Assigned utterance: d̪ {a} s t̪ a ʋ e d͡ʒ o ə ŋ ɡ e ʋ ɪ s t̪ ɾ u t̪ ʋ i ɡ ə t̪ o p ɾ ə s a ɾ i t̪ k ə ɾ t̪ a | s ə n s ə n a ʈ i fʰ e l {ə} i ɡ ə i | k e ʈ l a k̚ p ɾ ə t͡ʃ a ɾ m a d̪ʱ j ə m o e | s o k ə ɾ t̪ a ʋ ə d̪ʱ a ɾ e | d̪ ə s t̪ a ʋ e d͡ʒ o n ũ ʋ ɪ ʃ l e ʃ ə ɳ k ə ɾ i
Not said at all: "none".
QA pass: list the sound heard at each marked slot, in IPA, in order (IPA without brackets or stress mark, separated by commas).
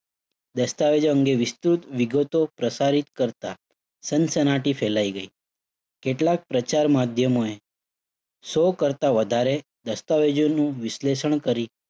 ə, a